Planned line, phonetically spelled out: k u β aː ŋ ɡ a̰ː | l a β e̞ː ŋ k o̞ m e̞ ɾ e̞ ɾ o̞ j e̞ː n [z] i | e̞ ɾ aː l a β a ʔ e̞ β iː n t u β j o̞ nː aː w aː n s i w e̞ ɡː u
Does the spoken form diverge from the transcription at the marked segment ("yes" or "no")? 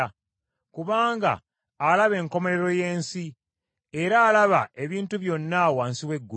yes